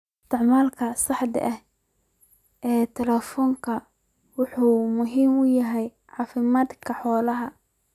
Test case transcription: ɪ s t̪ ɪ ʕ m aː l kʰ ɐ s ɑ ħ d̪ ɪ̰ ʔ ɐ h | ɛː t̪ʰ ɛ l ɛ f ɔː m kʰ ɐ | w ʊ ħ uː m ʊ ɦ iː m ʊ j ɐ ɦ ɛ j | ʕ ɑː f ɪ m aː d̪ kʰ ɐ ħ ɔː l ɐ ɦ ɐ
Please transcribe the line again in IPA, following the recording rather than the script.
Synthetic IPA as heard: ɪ s t̪ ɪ ʕ m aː l kʰ ɐ s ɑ ħ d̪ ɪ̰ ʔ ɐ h | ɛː t̪ʰ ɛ l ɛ f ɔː ŋ kʰ ɐ | w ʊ ħ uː m ʊ ɦ iː m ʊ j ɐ ɦ ɛ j | ʕ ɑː f ɪ m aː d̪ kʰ ɐ ħ ɔː l ɐ ɦ ɐ